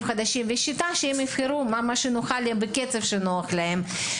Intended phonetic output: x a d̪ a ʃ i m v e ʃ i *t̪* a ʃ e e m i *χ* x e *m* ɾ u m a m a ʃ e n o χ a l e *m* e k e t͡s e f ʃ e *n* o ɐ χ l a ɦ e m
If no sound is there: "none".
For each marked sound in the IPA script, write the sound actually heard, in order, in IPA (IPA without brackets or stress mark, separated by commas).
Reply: t̪, f, none, b, n